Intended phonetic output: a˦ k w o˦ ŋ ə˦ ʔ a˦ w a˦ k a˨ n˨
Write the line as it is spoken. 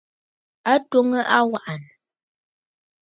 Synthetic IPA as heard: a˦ t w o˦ ŋ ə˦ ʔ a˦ w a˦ ʔ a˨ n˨